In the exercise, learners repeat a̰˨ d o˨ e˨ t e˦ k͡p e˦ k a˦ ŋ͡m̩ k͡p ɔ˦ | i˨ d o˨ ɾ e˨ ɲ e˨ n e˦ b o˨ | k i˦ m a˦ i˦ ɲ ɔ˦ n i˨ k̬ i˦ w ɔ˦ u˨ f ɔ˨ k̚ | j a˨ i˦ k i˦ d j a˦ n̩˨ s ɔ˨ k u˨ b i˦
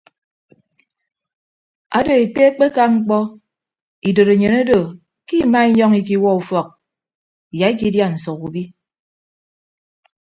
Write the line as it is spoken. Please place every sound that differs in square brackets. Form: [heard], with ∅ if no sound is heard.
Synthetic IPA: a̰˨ d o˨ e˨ t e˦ k͡p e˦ k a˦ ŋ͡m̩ k͡p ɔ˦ | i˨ d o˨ ɾ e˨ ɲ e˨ n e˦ [d] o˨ | k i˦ m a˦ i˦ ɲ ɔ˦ [ŋ] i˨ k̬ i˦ w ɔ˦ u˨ f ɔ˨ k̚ | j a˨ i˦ k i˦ d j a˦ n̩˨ s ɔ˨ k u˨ b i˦